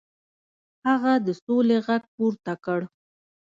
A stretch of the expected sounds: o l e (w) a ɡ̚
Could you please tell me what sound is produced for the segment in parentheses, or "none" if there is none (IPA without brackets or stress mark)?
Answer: ɣ